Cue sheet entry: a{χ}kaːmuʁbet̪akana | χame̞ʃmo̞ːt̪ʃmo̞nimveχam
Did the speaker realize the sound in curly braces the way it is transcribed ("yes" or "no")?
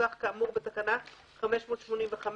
yes